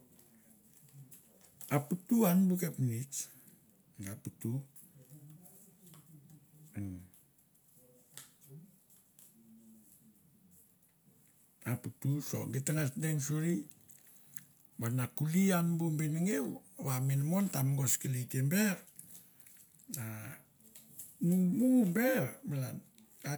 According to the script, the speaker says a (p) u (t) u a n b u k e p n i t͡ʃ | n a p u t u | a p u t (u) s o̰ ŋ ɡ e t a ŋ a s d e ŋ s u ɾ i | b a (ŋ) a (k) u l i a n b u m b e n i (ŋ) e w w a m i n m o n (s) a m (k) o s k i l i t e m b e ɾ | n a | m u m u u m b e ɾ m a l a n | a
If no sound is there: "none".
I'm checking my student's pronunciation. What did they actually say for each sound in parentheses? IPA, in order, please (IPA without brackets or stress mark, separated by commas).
p, t, u, n, k, ŋ, t, ɡ